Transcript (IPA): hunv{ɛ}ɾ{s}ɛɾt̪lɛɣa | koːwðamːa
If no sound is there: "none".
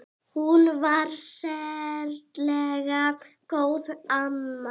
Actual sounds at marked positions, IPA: a, s

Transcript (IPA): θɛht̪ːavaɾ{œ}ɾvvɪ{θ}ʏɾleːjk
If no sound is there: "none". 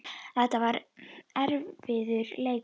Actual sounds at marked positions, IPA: ɛ, ð

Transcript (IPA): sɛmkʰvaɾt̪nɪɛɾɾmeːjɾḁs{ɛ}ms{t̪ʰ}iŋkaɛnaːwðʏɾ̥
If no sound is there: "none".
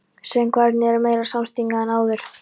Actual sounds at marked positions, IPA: a, t̪

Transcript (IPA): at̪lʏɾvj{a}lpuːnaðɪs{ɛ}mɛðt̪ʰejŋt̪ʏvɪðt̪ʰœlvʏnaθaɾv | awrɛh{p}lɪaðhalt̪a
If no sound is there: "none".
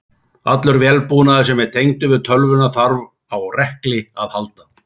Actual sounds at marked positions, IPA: ɛ, ɛ, k

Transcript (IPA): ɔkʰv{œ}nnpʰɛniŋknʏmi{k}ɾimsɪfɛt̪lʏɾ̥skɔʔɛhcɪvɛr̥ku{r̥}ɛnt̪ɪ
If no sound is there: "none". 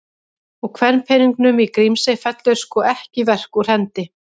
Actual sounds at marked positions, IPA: ɛ, k, r̥

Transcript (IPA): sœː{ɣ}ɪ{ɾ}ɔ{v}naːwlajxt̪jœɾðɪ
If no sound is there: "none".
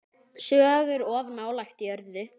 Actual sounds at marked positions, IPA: ɣ, ɾ, v

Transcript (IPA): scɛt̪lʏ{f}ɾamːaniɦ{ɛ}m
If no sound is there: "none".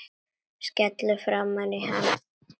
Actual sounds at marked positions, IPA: f, a

